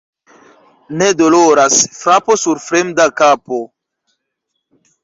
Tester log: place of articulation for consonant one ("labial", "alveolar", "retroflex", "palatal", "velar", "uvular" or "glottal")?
alveolar